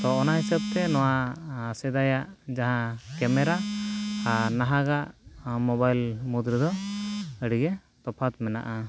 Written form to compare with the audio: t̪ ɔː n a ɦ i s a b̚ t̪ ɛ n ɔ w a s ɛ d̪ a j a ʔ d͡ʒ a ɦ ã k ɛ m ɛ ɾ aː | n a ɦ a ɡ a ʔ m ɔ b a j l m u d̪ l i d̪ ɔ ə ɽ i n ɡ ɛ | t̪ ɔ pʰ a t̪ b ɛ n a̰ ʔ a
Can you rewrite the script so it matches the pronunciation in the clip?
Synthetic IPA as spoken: t̪ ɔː n a ɦ i s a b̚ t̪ ɛ n ɔ w a s ɛ d̪ a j a ʔ d͡ʒ a ɦ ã k ɛ m ɛ ɾ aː | n a ɦ a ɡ a ʔ m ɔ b a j l m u d̪ ɾ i d̪ ɔ ə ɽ i ɡ ɛ | t̪ ɔ pʰ a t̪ m ɛ n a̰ ʔ a